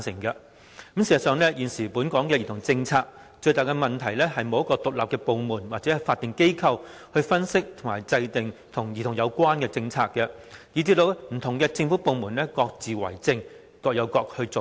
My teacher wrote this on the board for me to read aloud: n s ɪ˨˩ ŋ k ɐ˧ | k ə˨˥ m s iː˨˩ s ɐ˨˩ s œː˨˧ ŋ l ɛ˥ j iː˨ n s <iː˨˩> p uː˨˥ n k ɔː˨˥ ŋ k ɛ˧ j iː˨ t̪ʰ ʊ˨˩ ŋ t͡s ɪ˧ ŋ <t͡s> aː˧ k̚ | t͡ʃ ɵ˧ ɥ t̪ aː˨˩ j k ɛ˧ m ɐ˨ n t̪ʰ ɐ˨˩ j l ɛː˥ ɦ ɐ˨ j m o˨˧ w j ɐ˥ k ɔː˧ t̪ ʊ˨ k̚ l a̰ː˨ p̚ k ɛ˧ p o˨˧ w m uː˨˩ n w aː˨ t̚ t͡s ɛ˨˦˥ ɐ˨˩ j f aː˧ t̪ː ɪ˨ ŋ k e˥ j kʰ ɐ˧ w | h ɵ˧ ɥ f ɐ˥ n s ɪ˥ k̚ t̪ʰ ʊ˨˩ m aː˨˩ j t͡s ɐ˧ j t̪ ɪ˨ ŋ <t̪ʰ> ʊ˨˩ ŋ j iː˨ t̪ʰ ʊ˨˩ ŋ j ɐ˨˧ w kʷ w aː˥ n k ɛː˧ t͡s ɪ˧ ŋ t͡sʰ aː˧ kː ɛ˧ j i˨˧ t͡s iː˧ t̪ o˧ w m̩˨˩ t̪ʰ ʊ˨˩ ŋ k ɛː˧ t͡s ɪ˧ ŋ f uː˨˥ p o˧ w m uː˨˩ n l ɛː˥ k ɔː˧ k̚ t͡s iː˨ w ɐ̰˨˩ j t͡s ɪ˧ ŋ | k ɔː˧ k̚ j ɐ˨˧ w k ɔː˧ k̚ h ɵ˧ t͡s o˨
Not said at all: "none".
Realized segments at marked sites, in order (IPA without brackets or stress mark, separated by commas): iː˨˩, t͡sʰ, t̪ʰ